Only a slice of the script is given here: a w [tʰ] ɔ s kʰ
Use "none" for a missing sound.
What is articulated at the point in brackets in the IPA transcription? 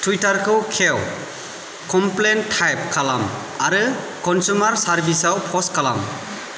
pʰ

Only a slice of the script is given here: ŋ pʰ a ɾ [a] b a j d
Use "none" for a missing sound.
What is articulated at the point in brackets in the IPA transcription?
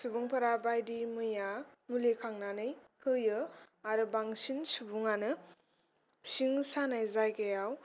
a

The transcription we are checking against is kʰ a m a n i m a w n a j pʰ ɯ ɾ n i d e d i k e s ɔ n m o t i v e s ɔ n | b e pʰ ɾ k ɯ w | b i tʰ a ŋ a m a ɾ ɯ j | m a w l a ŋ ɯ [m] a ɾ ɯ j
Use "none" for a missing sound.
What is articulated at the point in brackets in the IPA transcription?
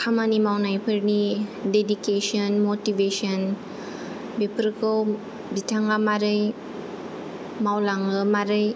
m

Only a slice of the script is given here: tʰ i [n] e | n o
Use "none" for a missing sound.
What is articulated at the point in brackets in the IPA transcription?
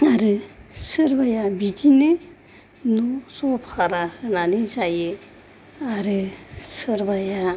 n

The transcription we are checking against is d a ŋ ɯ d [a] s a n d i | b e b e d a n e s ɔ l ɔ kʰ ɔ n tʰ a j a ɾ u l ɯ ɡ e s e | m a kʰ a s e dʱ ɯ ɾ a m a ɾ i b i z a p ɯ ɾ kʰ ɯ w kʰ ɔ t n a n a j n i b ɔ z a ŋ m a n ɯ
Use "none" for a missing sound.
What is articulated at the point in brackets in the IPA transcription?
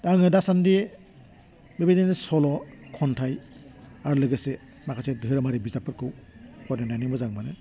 a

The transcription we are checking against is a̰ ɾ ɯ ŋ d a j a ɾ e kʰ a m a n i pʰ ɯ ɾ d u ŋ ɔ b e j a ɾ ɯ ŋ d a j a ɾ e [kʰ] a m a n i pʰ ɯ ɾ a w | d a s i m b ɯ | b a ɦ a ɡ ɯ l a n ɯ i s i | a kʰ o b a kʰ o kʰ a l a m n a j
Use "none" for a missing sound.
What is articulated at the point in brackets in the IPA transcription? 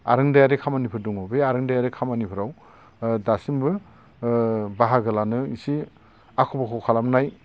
kʰ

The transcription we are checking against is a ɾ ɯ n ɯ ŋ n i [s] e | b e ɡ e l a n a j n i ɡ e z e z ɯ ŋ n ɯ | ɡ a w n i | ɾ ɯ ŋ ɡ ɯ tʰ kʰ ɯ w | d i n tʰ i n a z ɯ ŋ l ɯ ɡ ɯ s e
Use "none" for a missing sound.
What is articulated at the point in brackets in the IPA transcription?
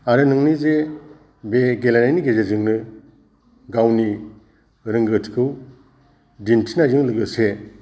z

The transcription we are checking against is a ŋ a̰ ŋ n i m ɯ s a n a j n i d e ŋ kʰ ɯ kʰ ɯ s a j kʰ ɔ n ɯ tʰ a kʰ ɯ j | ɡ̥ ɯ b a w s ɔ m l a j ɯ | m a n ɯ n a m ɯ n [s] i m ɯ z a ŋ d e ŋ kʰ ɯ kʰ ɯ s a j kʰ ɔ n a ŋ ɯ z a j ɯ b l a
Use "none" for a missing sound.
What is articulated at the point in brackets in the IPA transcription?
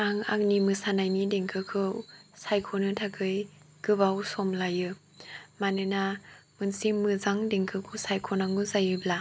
s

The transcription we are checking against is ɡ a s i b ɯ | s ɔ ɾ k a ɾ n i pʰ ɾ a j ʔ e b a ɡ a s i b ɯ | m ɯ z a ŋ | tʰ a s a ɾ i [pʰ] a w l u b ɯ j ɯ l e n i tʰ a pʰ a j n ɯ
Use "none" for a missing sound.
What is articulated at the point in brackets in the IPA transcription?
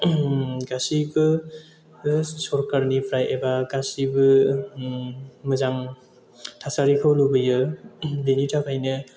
kʰ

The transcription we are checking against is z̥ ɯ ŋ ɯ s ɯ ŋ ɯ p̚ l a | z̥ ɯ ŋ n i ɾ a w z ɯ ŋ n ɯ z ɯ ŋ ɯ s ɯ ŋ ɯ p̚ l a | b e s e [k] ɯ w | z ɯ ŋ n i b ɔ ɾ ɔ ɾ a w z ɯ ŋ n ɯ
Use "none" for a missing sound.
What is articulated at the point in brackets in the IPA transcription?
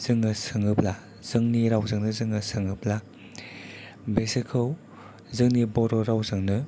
kʰ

